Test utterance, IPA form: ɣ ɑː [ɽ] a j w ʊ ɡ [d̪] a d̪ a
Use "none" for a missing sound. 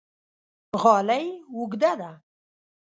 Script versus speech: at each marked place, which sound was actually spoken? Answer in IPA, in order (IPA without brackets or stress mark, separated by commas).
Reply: l, d̪